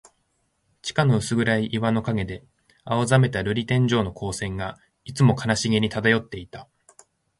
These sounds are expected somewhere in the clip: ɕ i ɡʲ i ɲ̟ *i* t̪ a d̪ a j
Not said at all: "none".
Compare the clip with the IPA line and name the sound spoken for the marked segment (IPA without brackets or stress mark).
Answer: i